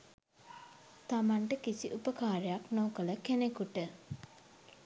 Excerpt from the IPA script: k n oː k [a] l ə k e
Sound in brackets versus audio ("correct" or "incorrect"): incorrect